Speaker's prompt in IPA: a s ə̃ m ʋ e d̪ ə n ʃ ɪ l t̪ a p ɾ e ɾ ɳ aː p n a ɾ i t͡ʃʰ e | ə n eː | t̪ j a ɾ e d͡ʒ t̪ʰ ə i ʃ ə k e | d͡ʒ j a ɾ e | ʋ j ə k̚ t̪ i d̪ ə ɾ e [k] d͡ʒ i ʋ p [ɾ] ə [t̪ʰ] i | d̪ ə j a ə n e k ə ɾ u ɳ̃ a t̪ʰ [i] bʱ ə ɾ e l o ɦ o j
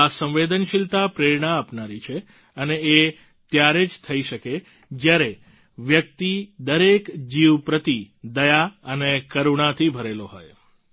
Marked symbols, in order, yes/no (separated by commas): yes, yes, no, yes